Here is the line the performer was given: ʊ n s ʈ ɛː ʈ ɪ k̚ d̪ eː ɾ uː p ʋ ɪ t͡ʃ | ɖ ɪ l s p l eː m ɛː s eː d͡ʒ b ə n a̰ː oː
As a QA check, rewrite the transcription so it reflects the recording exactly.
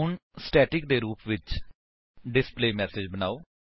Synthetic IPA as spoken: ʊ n s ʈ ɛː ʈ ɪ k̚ d̪ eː ɾ uː p ʋ ɪ t͡ʃ | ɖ ɪ s p l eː m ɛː s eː d͡ʒ b ə n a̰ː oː